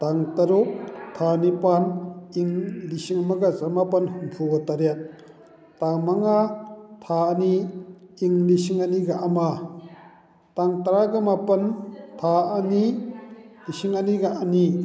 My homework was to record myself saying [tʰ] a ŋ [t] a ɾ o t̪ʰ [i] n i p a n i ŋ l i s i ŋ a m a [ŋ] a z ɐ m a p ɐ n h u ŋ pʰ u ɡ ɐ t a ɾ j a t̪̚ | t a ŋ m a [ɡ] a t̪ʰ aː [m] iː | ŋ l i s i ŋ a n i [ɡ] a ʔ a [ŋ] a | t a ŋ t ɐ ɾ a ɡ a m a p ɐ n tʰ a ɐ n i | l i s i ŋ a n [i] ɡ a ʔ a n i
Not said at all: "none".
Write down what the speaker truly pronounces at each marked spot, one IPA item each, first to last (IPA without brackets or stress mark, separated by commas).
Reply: t, t, a, ɡ, ŋ, n, ɡ, m, i